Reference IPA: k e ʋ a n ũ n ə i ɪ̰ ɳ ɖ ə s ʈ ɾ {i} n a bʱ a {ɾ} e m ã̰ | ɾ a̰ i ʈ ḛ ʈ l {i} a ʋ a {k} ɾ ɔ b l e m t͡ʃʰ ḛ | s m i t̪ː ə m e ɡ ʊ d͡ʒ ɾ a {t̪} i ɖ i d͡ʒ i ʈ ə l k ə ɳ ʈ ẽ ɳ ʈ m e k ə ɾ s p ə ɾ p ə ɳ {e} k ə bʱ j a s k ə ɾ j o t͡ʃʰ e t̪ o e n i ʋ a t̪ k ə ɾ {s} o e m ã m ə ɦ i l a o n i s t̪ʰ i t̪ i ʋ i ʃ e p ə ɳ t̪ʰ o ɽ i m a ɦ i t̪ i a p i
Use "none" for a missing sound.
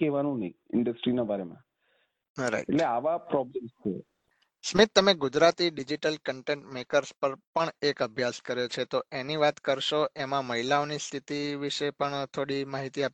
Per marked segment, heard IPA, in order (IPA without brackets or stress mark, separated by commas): i, ɾ, e, p, t̪, e, ʃ